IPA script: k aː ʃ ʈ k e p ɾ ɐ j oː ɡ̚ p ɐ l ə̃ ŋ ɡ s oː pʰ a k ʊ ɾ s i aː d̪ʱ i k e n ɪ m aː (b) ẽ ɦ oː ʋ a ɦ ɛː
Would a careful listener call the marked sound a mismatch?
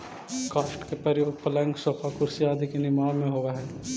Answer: yes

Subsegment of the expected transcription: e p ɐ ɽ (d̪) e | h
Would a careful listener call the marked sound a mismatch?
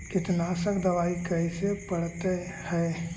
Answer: yes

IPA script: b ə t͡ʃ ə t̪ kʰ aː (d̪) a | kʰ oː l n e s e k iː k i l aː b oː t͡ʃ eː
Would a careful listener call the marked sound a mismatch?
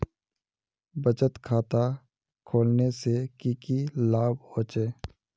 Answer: yes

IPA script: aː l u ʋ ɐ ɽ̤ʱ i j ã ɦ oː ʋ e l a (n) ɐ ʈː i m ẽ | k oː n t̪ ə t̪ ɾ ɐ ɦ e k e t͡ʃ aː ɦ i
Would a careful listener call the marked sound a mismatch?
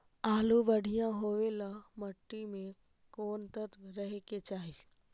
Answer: yes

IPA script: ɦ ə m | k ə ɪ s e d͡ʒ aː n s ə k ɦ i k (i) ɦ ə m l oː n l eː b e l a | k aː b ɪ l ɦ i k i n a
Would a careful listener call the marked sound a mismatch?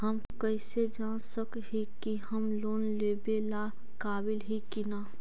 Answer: no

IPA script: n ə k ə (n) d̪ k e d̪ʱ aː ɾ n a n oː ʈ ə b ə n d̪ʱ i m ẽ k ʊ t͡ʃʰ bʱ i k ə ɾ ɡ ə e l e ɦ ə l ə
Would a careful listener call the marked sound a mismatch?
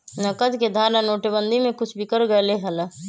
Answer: yes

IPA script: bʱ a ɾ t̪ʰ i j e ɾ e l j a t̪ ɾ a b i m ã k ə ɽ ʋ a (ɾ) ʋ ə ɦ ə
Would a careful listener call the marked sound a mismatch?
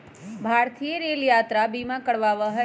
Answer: yes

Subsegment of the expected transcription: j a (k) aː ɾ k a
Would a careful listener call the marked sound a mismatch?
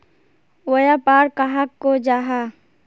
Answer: yes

